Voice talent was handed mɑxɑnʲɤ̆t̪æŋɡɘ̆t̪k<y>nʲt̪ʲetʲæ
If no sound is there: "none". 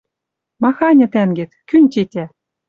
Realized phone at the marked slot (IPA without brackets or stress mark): y